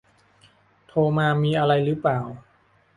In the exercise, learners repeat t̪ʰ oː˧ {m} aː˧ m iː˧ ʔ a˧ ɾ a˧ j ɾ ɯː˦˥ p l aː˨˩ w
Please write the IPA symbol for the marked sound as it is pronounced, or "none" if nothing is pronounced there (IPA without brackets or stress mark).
m